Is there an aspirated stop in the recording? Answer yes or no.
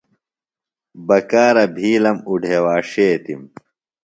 no